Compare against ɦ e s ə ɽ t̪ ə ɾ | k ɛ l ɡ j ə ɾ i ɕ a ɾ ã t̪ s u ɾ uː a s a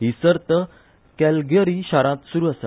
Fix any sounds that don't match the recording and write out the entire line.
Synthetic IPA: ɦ i s ə ɾ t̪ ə | k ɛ l ɡ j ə ɾ i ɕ a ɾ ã t̪ s u ɾ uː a s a